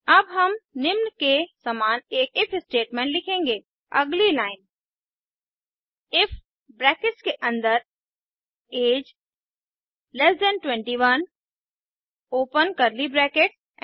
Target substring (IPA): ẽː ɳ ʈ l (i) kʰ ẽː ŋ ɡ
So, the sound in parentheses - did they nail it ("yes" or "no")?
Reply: no